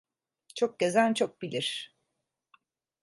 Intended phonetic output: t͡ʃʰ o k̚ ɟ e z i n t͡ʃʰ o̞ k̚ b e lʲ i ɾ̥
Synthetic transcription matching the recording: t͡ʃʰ o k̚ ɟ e z æ n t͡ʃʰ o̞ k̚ b i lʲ i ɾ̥

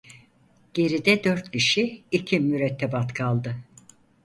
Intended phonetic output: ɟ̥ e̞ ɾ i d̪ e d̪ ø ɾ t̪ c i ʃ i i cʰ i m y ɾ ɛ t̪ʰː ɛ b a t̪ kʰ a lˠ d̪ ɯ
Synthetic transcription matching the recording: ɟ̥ e̞ ɾ i d̪ ɛ d̪ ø ɾ t̪ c i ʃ i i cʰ i m y ɾ ɛ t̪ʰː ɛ b a t̪ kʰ a lˠ d̪ ɯ

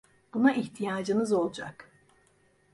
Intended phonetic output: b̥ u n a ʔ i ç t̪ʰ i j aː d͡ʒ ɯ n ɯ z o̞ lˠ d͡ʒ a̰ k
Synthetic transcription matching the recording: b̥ u n a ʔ i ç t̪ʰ i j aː d͡ʒ ɯ n ɯ z o̞ lˠ d͡ʒ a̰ k

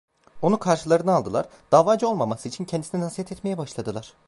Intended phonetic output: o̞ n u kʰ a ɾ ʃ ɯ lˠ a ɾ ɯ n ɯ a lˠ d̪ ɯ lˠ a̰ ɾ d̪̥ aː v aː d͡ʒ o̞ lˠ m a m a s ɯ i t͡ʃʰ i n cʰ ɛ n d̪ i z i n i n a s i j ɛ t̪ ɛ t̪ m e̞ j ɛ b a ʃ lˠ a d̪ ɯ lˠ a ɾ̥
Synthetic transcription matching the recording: o̞ n u kʰ a ɾ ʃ ɯ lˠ a ɾ ɯ n ɯ a lˠ d̪ ɯ lˠ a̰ ɾ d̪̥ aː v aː d͡ʒ o̞ lˠ m a m a s ɯ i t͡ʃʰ i n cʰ ɛ n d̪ i s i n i n a s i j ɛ t̪ ɛ t̪ m e̞ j ɛ b a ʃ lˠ a d̪ ɯ lˠ a ɾ̥

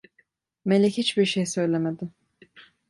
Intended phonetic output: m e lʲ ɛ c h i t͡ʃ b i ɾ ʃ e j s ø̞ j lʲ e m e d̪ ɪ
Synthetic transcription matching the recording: m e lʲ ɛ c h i t͡ʃ b i ɾ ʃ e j s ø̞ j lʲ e m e d̪ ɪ

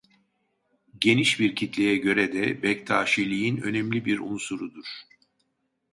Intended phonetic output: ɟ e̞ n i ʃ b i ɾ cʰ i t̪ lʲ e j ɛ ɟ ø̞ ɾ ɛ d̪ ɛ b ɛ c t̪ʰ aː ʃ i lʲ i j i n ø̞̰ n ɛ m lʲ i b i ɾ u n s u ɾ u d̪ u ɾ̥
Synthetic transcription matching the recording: ɟ e̞ n i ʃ b i ɾ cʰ i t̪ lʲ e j ɛ ɟ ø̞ ɾ ɛ d̪ ɛ b ɛ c t̪ʰ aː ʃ i lʲ i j i n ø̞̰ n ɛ m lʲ i b i ɾ u n s u ɾ u d̪ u ɾ̥

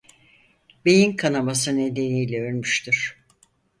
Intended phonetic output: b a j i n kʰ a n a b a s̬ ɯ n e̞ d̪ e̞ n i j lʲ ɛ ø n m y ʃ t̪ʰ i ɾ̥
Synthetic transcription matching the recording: b e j i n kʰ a n a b a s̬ ɯ n e̞ d̪ e̞ n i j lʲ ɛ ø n m y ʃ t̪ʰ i ɾ̥

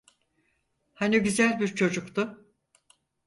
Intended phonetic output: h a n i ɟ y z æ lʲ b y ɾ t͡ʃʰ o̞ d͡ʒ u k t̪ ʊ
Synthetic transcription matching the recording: h a n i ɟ y z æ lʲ b i ɾ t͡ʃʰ o̞ d͡ʒ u k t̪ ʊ

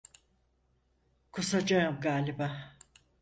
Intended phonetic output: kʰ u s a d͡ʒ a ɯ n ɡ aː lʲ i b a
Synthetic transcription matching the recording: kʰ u s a d͡ʒ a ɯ m ɡ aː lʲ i b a

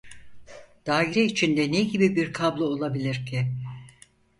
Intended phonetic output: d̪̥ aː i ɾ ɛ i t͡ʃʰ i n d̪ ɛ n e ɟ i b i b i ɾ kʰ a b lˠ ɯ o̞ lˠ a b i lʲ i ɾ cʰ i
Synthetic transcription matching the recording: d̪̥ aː i ɾ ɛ i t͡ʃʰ i n d̪ ɛ n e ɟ i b i b i ɾ kʰ a b lˠ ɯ o̞ lˠ a b i lʲ i ɾ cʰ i

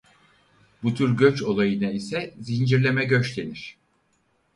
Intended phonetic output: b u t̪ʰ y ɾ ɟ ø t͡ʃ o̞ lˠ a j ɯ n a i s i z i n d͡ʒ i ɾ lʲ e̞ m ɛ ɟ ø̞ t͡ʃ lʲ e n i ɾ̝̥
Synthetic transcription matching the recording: b u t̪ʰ y ɾ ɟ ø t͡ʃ o̞ lˠ a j ɯ n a i s ɛ z i n d͡ʒ i ɾ lʲ e̞ m ɛ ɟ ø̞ t͡ʃ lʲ e n i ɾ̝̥

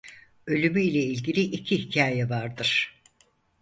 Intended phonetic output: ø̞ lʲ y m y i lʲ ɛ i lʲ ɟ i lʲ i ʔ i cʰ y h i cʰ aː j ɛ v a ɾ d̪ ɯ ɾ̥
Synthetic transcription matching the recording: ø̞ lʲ y m y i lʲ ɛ i lʲ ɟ i lʲ i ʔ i cʰ i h i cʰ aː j ɛ v a ɾ d̪ ɯ ɾ̥

